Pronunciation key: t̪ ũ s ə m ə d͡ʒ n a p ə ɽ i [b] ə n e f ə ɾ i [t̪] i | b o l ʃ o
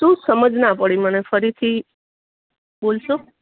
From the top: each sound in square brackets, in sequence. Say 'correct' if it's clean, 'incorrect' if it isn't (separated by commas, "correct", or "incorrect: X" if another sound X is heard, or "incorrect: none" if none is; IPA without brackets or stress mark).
incorrect: m, incorrect: t̪ʰ